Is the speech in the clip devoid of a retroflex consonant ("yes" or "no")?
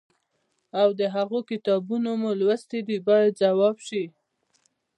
yes